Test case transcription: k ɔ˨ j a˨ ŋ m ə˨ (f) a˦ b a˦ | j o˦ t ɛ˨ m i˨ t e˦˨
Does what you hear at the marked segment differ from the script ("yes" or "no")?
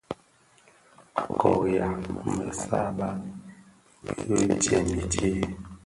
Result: yes